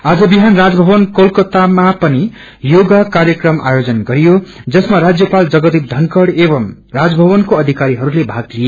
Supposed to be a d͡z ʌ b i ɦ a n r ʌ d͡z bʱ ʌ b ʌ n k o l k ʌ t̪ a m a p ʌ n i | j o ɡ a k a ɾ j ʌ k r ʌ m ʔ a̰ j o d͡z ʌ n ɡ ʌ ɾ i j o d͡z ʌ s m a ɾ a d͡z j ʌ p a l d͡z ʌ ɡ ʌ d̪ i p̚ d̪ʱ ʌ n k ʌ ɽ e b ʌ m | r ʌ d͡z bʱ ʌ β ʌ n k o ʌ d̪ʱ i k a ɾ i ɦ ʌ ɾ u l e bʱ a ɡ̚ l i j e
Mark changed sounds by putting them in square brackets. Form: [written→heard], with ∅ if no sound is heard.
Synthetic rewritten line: a d͡z ʌ b i ɦ a n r [ʌ→a] d͡z bʱ ʌ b ʌ n k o l k ʌ t̪ a m a p ʌ n i | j o ɡ a k a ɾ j ʌ k r ʌ m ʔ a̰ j o d͡z ʌ n ɡ ʌ ɾ i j o d͡z ʌ s m a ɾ a d͡z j ʌ p a l d͡z ʌ ɡ ʌ d̪ i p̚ d̪ʱ ʌ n k ʌ ɽ e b ʌ m | r [ʌ→a] d͡z bʱ ʌ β ʌ n k o ʌ d̪ʱ i k a ɾ i ɦ ʌ ɾ u l e bʱ a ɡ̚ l i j e